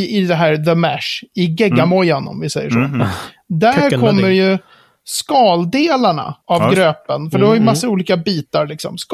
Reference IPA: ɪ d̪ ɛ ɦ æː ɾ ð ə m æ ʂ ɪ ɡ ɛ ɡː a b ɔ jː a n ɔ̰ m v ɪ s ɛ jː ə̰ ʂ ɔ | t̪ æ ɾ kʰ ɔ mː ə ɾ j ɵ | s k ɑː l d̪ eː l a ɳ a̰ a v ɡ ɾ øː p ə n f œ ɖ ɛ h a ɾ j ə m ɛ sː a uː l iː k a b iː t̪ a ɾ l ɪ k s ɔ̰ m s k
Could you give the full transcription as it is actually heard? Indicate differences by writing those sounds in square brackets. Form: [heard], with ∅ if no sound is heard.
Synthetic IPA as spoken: ɪ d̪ ɛ ɦ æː ɾ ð ə m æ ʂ ɪ ɡ ɛ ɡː a [m] ɔ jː a n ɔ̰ m v ɪ s ɛ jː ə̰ ʂ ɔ | [d̪] æ ɾ kʰ ɔ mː ə ɾ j ɵ | s k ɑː l d̪ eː l a ɳ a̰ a v ɡ ɾ øː p ə n f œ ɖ ɛ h a ɾ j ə m [a] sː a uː l iː k a b iː t̪ a ɾ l ɪ k s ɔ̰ m s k